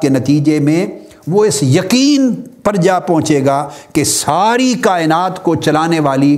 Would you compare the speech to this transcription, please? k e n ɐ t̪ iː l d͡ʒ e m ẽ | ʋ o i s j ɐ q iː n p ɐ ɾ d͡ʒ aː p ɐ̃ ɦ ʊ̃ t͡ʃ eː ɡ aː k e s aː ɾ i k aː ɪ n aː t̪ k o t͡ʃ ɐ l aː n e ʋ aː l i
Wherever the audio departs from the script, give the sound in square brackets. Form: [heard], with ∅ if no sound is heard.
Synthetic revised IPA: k e n ɐ t̪ iː [∅] d͡ʒ e m ẽ | ʋ o [ɪ] s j ɐ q iː n p ɐ ɾ d͡ʒ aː p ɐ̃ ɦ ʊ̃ t͡ʃ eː ɡ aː k e s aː ɾ i k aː ɪ n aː t̪ k o t͡ʃ ɐ l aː n e ʋ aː l i